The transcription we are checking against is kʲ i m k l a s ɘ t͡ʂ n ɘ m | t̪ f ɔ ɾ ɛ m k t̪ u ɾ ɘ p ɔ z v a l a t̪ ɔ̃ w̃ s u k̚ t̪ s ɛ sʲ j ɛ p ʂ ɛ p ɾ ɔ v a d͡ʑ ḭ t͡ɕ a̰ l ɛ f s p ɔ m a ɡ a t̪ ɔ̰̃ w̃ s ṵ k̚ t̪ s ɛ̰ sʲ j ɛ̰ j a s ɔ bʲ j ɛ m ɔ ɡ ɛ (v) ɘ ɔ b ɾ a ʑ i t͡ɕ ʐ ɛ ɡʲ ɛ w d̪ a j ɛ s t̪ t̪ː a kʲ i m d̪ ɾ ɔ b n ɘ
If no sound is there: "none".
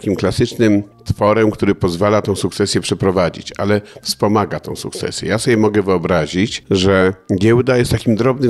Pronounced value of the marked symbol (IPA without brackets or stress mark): v